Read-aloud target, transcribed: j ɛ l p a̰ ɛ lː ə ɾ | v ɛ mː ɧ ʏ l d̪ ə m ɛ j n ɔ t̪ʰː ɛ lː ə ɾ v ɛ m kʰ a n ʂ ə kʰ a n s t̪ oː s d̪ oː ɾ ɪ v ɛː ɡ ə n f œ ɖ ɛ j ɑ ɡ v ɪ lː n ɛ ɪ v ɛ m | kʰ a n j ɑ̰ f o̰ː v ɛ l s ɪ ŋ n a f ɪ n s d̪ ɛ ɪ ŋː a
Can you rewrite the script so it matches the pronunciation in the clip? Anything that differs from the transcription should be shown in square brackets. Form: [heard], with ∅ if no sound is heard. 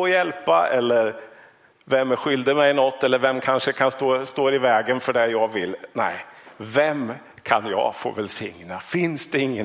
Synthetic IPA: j ɛ l p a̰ ɛ lː ə ɾ | v ɛ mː ɧ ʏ l d̪ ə m ɛ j n ɔ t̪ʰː ɛ lː ə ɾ v ɛ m kʰ a n ʂ ə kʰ a n s t̪ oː s [t̪] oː ɾ ɪ v ɛː ɡ ə n f œ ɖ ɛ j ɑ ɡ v ɪ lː n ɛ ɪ v ɛ m | kʰ a n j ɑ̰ f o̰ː v ɛ l s ɪ ŋ n a f ɪ n s d̪ ɛ ɪ ŋː [ə]